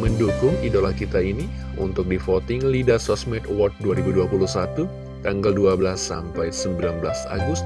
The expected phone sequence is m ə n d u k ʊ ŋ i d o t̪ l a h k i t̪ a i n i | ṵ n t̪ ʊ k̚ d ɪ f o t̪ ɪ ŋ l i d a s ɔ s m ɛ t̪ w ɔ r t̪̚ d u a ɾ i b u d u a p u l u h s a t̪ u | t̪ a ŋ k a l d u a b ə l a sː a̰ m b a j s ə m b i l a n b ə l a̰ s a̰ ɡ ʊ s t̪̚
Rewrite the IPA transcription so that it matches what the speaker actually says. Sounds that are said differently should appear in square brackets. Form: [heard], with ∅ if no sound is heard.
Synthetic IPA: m ə n d u k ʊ ŋ i d o [∅] l a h k i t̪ a i n i | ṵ n t̪ ʊ k̚ d [i] f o t̪ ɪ ŋ l i d a s ɔ s m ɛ t̪ w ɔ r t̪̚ d u a ɾ i b u d u a p u l u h s a t̪ u | t̪ a ŋ [ɡ] a l d u a b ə l a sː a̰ m [p] a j s ə m b i l a n b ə l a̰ s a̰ ɡ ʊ s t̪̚